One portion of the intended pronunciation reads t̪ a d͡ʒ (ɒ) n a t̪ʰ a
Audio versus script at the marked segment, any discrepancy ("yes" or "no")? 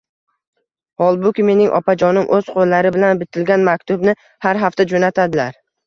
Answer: yes